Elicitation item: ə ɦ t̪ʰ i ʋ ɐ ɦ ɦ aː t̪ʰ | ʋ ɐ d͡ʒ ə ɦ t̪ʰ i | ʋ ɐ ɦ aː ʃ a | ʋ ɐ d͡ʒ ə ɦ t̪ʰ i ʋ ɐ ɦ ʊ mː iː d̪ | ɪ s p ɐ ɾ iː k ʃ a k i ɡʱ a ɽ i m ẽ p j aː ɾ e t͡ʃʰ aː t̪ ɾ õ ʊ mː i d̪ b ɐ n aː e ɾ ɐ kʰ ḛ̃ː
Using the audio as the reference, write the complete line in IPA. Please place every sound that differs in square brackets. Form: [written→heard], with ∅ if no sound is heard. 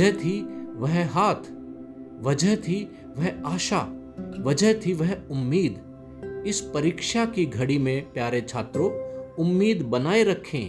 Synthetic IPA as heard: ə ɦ t̪ʰ i ʋ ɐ ɦ ɦ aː t̪ʰ | ʋ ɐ d͡ʒ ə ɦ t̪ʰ i | ʋ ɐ ɦ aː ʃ a | ʋ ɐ d͡ʒ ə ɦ t̪ʰ i ʋ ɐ ɦ ʊ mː iː d̪ | ɪ s p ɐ ɾ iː k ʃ a k i ɡʱ [a→ɐ] ɽ i m ẽ p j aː ɾ e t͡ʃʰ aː t̪ ɾ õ ʊ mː [i→iː] d̪ b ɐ n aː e ɾ ɐ kʰ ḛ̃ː